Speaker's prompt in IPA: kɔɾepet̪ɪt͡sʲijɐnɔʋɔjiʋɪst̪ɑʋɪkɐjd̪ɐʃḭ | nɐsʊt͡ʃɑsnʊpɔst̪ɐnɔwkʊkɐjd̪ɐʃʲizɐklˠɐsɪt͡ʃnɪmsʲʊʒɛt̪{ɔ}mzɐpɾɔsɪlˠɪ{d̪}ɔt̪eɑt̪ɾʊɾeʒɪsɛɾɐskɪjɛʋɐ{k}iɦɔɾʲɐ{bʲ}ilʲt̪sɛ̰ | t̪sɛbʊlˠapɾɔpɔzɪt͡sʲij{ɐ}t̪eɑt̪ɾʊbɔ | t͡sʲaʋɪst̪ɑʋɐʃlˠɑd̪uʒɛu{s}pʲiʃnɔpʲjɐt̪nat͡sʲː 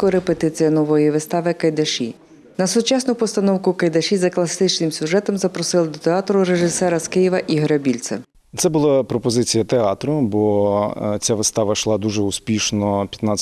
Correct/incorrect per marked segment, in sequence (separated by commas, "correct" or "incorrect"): correct, correct, incorrect, correct, correct, correct